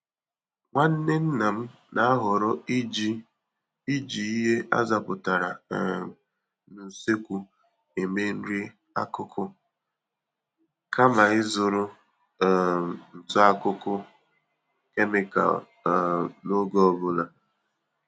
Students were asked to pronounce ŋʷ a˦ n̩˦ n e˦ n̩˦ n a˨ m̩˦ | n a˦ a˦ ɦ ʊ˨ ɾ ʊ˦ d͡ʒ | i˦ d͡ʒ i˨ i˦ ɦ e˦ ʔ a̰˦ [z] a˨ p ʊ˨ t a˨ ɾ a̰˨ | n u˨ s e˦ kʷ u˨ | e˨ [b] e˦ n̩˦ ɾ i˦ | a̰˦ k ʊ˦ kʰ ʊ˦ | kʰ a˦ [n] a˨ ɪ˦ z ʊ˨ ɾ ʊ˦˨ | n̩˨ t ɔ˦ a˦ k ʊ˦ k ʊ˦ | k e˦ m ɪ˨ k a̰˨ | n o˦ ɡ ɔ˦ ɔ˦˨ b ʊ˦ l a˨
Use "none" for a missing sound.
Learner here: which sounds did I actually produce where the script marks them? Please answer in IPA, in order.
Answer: z, m, m

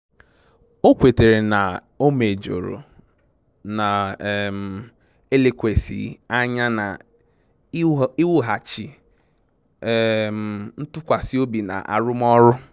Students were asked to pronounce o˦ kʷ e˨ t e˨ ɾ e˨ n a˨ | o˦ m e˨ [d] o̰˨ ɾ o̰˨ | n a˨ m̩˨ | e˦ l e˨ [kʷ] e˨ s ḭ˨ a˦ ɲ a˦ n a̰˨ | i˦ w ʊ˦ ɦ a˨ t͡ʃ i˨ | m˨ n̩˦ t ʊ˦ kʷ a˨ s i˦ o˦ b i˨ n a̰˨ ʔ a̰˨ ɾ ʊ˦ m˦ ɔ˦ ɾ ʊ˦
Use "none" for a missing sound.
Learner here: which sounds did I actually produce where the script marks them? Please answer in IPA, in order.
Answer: d͡ʒ, kʷ

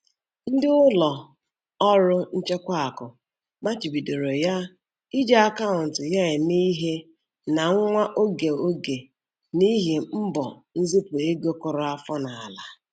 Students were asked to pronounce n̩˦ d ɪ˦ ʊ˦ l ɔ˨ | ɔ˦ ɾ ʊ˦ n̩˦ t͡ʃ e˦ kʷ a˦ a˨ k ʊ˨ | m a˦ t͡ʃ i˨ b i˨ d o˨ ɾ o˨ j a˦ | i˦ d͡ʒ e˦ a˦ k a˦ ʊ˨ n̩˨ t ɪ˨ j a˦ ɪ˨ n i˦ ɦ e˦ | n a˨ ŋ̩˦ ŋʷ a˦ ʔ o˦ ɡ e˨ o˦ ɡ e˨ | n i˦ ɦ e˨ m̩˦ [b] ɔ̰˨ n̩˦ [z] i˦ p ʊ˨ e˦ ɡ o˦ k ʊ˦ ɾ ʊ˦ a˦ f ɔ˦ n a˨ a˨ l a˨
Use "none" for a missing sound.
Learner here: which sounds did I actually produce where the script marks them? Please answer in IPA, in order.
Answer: b, z

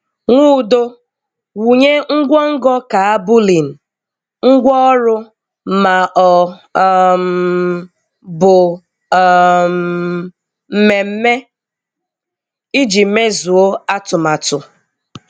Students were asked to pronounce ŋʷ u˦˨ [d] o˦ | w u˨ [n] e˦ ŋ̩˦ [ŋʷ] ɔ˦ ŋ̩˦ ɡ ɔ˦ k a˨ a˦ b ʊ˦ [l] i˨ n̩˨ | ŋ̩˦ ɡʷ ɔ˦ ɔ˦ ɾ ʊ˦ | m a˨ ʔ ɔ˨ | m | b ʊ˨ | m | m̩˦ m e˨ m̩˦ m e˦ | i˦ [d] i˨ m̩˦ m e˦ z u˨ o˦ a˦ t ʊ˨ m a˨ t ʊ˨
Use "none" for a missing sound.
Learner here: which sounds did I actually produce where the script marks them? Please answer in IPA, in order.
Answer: d, ɲ, ɡʷ, l, d͡ʒ

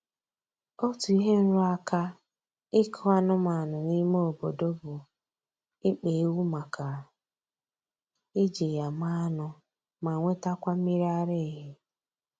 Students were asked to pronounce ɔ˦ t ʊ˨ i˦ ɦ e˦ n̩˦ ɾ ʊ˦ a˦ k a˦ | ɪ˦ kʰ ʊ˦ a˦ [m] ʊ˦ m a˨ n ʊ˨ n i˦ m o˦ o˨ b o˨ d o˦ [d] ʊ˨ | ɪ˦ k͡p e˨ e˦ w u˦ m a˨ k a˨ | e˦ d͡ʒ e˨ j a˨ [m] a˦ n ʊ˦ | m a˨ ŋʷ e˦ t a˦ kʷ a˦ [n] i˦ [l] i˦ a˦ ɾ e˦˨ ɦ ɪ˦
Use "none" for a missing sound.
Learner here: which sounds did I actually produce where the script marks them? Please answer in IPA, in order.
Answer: n, b, m, m, ɾ

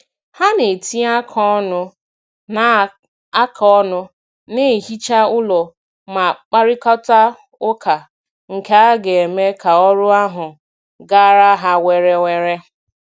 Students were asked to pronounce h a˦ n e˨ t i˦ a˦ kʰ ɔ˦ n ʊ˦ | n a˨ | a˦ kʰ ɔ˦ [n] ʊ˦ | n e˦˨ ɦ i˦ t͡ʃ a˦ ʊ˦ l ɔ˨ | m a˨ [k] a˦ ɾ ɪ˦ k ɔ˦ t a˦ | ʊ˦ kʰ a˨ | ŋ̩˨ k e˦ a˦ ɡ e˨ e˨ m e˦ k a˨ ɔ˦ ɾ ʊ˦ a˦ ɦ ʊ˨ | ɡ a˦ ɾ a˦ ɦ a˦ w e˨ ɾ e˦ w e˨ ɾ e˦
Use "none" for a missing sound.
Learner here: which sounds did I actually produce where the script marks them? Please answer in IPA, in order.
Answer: n, k͡p

